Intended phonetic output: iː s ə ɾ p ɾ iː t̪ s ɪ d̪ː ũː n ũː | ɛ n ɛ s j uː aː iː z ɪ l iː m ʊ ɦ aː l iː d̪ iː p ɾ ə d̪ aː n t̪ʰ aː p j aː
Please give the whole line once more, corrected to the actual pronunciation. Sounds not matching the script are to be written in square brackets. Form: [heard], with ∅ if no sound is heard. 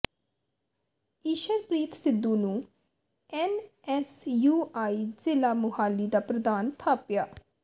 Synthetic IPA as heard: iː [ʃ] ə ɾ p ɾ iː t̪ s ɪ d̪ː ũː n ũː | ɛ n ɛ s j uː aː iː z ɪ l [aː] m ʊ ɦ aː l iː d̪ [aː] p ɾ ə d̪ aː n t̪ʰ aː p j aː